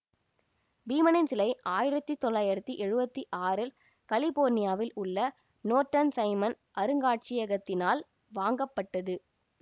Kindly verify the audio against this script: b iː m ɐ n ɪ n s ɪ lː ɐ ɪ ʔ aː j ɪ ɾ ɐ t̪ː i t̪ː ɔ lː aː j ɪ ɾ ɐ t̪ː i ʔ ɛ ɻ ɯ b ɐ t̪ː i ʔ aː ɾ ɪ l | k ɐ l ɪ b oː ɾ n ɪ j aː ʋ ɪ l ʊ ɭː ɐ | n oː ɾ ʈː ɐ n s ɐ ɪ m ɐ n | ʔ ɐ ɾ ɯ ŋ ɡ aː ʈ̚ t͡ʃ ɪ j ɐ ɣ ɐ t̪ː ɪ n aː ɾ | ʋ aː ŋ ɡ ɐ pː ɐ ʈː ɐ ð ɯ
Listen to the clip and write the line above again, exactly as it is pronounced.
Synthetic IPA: b iː m ɐ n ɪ n s ɪ l ɐ ɪ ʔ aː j ɪ ɾ ɐ t̪ː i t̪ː ɔ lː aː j ɪ ɾ ɐ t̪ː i ʔ ɛ ɻ ɯ b ɐ t̪ː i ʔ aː ɾ ɪ l | k ɐ l ɪ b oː ɾ n ɪ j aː ʋ ɪ l ʊ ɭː ɐ | n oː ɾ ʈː ɐ n s ɐ ɪ m ɐ n | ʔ ɐ ɾ ɯ ŋ ɡ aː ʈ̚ t͡ʃ ɪ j ɐ ɣ ɐ t̪ː ɪ n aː l | ʋ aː ŋ ɡ ɐ pː ɐ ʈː ɐ ð ɯ

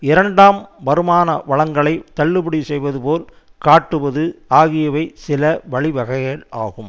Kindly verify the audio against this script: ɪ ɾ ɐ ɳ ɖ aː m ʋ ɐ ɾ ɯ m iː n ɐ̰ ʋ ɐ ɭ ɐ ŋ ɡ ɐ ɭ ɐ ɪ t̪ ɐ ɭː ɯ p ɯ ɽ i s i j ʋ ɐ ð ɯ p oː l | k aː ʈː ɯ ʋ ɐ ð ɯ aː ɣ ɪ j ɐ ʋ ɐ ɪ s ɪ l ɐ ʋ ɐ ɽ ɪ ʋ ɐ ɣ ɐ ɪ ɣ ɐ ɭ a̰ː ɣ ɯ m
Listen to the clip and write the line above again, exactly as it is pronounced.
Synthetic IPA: ɪ ɾ ɐ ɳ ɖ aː m ʋ ɐ ɾ ɯ m aː n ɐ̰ ʋ ɐ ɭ ɐ ŋ ɡ ɐ ɭ ɐ ɪ t̪ ɐ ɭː ɯ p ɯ ɽ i s ɛ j ʋ ɐ ð ɯ p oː l | k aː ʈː ɯ ʋ ɐ ð ɯ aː ɣ ɪ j ɐ ʋ ɐ ɪ s ɪ l ɐ ʋ ɐ ɭ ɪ ʋ ɐ ɣ ɐ ɪ ɣ ɐ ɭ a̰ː ɣ ɯ m

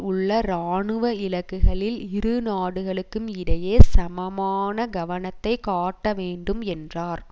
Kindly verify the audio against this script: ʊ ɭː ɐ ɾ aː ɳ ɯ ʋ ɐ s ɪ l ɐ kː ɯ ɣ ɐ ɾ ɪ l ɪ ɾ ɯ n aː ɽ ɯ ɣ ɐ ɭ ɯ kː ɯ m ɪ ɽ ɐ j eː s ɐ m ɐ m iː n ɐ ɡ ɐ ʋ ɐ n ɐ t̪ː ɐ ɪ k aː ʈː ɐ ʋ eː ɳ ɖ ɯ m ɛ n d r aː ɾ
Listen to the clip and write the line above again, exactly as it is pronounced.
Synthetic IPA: ʊ ɭː ɐ ɾ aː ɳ ɯ ʋ ɐ ɪ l ɐ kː ɯ ɣ ɐ ɭ ɪ l ɪ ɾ ɯ n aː ɽ ɯ ɣ ɐ ɭ ɯ kː ɯ m ɪ ɽ ɐ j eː s ɐ m ɐ m aː n ɐ ɡ ɐ ʋ ɐ n ɐ t̪ː ɐ ɪ k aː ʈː ɐ ʋ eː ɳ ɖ ɯ m ɛ n d r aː ɾ

